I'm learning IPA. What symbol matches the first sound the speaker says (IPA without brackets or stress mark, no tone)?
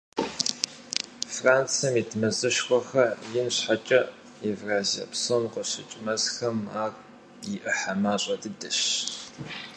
f